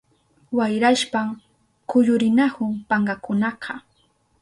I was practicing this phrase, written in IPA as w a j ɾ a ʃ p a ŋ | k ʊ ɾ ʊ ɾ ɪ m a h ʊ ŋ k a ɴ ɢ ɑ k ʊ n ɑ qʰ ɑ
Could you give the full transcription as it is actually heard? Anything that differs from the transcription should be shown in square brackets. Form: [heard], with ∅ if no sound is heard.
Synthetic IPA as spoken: w a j ɾ a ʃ p a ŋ | k ʊ [ʎ] ʊ ɾ ɪ [n] a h ʊ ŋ [p] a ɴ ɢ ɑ k ʊ n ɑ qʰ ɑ